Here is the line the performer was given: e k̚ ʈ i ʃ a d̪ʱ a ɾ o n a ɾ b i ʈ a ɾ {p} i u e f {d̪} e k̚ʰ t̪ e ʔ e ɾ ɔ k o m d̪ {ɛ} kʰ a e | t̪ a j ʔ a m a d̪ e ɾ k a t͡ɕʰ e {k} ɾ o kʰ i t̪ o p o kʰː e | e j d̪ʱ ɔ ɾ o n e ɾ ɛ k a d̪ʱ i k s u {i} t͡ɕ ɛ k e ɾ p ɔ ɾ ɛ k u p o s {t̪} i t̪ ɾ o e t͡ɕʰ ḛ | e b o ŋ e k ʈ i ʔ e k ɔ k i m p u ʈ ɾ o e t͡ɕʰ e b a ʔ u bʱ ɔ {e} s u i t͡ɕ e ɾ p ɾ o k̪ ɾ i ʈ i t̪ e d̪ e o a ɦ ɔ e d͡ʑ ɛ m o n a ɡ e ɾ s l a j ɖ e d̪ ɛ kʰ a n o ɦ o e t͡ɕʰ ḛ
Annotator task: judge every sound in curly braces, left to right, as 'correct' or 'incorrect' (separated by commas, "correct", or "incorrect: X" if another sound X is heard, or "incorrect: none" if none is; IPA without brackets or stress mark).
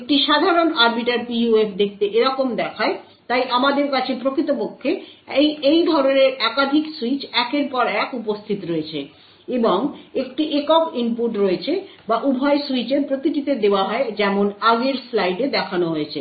correct, correct, correct, incorrect: p, correct, incorrect: t̪ʰ, correct